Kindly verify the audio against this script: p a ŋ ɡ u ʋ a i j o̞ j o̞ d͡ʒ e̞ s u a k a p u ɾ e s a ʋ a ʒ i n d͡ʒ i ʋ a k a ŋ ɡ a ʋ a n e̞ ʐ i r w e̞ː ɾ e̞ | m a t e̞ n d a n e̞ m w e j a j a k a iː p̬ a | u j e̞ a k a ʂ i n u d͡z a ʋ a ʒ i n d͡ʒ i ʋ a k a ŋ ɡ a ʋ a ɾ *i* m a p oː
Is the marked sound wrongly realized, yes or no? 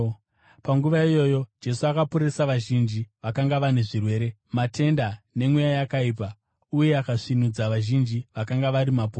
no